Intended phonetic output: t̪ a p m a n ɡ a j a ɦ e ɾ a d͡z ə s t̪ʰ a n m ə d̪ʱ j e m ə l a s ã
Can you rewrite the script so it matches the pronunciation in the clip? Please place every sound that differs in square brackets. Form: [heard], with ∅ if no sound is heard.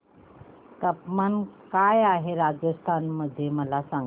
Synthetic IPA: t̪ [ə] p m a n [k] a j a ɦ e ɾ a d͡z ə s t̪ʰ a n m ə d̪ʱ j e m ə l a s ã

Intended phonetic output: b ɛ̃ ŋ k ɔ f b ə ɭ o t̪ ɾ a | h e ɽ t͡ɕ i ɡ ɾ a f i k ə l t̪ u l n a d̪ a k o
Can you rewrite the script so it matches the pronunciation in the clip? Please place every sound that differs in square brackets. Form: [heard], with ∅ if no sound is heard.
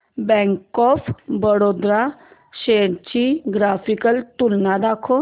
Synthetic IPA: b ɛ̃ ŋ k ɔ f b ə [ɽ] o [d̪] ɾ a | [ɕ] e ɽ t͡ɕ i ɡ ɾ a f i k ə l t̪ u l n a d̪ a [kʰ] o

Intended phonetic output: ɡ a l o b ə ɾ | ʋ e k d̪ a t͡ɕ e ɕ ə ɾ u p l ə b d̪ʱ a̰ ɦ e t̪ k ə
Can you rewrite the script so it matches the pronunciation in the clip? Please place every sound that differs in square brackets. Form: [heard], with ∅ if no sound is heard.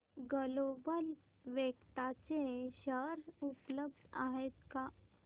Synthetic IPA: ɡ [ə] l o b ə [l] | ʋ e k [t̪] a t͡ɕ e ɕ ə ɾ u p l ə b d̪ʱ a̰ ɦ e t̪ k [a]

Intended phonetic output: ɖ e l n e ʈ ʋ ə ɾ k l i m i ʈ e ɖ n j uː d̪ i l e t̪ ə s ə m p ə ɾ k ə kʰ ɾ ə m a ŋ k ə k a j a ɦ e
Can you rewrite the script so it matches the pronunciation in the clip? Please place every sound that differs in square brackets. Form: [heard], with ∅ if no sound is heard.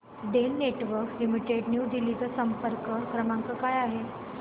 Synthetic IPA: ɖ e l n e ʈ ʋ ə ɾ k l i m i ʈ e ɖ n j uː d̪ i l [i] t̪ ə s ə m p ə ɾ k ə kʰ ɾ ə m a ŋ k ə k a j a ɦ e

